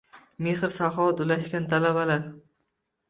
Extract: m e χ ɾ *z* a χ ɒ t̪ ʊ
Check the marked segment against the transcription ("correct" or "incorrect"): incorrect